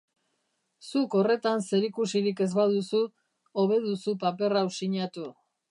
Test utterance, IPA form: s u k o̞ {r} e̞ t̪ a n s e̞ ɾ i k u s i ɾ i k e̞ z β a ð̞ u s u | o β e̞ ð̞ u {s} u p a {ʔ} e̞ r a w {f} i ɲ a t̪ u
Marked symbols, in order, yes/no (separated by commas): yes, yes, no, no